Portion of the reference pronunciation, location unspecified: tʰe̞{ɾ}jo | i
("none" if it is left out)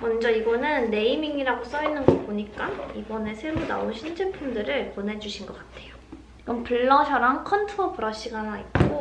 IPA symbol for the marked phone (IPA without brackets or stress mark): none